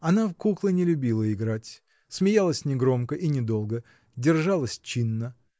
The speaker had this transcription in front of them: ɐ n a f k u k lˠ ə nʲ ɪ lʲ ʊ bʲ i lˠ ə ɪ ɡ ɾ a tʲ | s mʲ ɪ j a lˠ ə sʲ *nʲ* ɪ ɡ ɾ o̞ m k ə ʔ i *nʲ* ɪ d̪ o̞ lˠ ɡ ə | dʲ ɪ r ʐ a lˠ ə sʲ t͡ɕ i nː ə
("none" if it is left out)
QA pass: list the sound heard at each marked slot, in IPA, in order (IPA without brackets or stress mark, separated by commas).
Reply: nʲ, nʲ